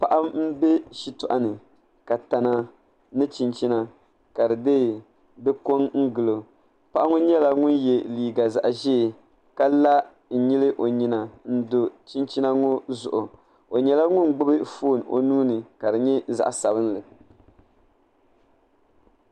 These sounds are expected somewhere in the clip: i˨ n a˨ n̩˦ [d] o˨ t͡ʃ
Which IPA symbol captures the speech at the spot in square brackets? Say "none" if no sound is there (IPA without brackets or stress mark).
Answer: d